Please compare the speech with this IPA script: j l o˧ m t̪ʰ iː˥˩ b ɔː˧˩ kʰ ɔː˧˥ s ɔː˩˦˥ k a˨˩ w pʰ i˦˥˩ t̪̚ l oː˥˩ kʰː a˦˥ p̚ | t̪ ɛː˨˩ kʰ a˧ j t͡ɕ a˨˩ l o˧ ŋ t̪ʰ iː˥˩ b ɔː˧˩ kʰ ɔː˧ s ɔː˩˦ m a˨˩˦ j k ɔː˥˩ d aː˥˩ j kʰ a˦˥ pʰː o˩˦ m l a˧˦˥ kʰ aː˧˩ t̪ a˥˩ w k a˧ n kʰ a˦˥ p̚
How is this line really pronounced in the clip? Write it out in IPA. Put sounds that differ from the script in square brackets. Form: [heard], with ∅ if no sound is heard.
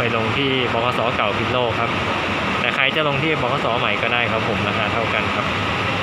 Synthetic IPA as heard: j l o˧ [ŋ] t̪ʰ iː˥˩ b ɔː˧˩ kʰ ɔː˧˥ s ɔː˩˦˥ k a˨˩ w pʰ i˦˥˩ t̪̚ l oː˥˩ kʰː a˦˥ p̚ | t̪ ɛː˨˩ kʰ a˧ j t͡ɕ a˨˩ l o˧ ŋ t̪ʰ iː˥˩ b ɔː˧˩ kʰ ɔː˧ s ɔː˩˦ m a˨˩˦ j k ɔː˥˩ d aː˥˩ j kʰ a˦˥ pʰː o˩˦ m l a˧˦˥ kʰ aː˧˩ [t̪ʰ] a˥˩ w k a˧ n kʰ a˦˥ p̚